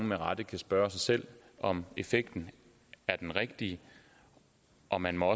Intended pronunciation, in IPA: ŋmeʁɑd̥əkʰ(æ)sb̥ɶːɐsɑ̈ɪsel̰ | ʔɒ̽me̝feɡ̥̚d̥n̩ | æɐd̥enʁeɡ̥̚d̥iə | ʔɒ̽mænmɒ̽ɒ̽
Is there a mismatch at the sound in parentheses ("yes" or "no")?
no